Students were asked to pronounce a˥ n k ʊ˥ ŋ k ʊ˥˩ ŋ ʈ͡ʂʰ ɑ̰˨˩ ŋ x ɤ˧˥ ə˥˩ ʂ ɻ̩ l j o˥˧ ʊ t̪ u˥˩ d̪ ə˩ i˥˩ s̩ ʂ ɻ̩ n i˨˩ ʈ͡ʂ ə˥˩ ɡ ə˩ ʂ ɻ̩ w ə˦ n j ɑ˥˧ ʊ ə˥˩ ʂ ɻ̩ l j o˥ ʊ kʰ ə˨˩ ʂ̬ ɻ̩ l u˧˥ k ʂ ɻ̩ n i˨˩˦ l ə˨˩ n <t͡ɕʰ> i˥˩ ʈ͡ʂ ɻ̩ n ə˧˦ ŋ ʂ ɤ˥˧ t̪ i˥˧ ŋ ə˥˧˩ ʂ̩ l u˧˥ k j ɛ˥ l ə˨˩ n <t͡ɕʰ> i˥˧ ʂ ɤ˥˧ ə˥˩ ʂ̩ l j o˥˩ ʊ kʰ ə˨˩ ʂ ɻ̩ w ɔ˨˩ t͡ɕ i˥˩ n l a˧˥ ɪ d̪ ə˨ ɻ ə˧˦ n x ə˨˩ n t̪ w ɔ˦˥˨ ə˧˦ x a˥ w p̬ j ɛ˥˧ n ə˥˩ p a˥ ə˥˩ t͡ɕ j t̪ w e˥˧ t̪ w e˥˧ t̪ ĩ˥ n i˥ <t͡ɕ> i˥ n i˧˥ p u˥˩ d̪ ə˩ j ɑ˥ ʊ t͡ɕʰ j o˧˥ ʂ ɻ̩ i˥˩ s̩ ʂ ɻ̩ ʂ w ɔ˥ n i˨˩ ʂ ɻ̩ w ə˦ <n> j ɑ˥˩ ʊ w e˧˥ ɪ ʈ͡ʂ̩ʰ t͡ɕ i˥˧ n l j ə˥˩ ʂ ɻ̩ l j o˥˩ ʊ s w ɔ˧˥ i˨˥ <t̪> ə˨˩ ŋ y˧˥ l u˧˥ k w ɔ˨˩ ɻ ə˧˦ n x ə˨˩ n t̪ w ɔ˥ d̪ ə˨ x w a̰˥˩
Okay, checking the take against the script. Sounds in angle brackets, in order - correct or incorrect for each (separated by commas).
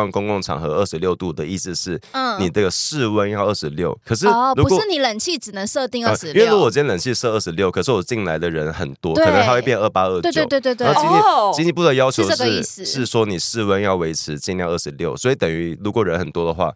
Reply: correct, correct, correct, correct, correct